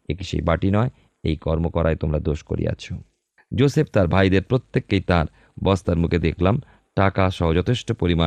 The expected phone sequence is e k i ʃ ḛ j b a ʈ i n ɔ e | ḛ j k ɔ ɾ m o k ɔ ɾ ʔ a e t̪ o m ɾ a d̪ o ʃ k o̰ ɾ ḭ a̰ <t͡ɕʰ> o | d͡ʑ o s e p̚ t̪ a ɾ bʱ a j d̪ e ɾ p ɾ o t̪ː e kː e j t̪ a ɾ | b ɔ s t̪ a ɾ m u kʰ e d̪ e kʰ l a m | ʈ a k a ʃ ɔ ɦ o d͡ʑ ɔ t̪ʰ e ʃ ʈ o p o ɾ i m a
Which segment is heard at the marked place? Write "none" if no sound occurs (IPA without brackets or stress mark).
t͡ɕʰ